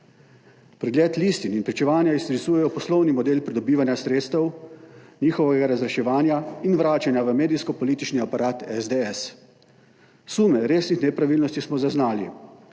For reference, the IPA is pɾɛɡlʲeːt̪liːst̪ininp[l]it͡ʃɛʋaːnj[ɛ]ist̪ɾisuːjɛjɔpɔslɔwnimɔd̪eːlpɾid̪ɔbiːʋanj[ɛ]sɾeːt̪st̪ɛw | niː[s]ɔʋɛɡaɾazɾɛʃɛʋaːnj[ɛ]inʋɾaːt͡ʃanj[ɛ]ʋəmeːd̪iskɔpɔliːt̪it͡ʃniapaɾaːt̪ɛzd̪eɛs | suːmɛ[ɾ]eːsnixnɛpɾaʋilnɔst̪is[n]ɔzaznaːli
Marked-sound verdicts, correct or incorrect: incorrect, incorrect, incorrect, incorrect, incorrect, incorrect, correct, incorrect

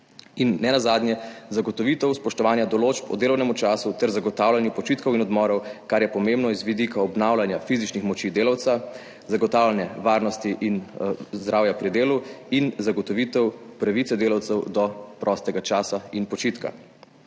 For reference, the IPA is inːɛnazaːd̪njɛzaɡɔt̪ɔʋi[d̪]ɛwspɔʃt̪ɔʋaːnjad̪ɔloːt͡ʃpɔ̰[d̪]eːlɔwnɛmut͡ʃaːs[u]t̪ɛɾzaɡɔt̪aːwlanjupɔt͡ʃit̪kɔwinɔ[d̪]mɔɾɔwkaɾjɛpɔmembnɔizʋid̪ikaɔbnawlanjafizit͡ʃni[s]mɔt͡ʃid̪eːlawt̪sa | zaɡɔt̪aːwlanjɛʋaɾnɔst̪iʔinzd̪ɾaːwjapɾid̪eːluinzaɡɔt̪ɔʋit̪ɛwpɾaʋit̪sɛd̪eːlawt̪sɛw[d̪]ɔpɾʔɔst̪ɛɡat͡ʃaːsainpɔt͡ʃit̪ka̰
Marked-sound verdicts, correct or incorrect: incorrect, correct, correct, correct, incorrect, correct

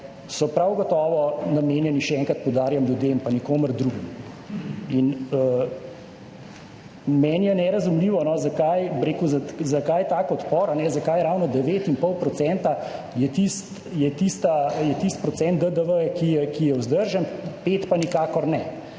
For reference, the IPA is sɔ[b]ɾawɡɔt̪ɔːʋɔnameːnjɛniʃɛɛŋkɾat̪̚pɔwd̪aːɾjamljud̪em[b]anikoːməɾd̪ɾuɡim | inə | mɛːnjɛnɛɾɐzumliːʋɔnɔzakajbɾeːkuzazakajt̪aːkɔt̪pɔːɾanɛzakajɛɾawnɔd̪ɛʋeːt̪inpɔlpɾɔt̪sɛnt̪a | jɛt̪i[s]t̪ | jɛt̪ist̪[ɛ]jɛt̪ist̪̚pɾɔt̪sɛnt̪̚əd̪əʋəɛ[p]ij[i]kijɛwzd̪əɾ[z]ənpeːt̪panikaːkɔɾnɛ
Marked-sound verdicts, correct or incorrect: incorrect, incorrect, correct, incorrect, incorrect, incorrect, incorrect

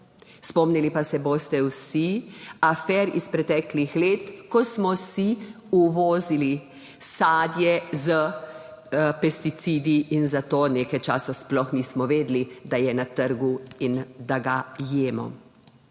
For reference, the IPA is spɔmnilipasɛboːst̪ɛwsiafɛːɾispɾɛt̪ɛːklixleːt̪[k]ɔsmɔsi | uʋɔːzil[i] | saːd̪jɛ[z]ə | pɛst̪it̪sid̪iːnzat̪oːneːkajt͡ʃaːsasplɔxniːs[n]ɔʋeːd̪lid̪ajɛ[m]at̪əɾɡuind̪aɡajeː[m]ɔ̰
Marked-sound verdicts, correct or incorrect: correct, correct, correct, incorrect, incorrect, correct

